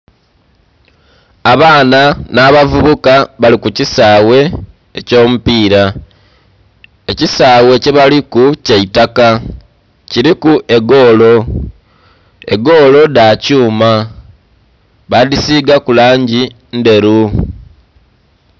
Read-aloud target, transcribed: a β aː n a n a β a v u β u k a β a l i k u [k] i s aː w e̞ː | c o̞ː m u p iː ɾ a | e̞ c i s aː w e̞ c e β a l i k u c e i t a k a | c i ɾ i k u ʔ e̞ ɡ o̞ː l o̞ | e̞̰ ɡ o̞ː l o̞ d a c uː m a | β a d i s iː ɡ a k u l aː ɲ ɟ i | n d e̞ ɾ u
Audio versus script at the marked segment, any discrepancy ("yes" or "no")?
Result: yes